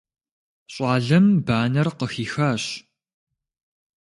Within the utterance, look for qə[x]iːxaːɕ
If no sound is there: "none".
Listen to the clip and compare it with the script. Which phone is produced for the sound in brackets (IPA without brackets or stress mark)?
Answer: x